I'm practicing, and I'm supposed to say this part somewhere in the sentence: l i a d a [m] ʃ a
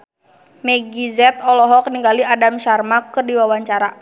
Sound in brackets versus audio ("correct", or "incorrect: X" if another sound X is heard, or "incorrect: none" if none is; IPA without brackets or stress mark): correct